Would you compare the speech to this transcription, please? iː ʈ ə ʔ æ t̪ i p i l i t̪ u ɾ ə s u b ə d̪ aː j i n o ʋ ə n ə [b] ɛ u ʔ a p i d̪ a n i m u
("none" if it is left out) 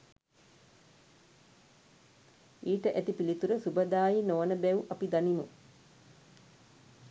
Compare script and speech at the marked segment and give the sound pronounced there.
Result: b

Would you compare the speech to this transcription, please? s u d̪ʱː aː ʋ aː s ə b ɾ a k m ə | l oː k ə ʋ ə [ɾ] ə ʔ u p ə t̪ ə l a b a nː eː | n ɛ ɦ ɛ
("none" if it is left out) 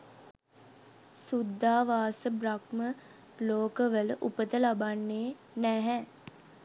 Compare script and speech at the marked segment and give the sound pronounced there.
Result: l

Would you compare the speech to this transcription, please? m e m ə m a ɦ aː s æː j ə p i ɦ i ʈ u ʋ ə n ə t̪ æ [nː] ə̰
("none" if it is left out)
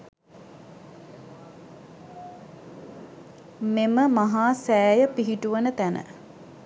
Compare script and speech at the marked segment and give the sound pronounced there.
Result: n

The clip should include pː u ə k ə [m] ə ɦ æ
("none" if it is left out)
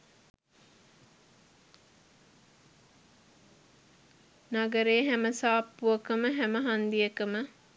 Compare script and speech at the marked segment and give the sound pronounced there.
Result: m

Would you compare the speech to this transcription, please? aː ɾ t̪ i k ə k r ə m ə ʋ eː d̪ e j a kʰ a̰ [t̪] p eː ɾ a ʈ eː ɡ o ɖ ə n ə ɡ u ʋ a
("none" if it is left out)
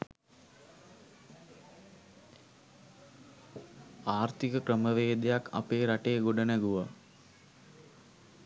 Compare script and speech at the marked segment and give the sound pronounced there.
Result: none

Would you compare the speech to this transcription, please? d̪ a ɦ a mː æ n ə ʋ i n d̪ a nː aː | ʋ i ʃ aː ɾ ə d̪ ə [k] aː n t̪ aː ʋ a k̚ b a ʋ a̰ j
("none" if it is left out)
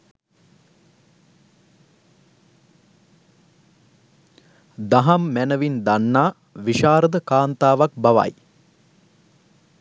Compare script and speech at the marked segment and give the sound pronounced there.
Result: k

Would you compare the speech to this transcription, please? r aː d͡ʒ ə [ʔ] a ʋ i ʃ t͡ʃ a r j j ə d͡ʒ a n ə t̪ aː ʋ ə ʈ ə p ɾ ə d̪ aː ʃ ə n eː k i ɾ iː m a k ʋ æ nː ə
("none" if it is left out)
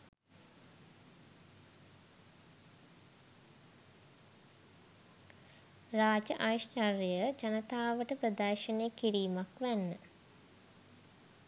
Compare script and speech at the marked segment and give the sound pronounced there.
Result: ʔ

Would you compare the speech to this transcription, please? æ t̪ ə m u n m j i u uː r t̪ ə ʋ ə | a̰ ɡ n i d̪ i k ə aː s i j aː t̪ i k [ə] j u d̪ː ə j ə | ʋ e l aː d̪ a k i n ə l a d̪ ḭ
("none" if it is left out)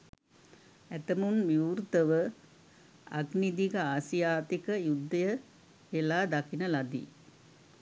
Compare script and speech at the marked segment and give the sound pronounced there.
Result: ə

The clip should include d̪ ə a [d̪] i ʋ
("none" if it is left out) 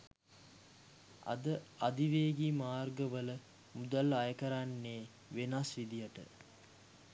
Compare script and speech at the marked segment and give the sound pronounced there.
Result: d̪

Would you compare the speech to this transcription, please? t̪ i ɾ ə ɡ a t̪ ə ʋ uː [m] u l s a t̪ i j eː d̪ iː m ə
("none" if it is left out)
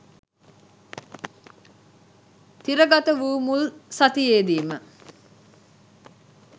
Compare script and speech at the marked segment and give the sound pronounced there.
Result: m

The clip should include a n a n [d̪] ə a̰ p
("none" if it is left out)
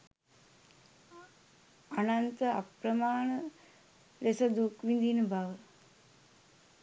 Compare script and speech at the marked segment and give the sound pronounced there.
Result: t̪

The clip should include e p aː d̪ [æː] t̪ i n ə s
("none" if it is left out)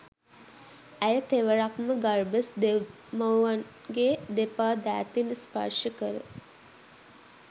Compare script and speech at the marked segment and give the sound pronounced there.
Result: æː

